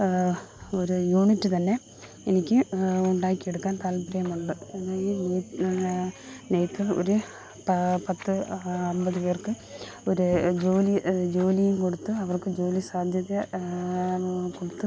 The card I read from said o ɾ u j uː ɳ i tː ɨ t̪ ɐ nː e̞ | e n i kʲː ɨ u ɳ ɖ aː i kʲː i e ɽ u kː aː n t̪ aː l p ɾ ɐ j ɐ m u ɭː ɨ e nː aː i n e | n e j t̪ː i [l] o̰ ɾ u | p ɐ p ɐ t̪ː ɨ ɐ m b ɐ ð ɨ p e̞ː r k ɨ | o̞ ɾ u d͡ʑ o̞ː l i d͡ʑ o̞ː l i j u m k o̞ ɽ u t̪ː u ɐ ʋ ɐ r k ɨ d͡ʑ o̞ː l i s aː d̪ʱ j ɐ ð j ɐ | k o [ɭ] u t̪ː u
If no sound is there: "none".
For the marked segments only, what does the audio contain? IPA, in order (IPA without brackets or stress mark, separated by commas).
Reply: l, ɽ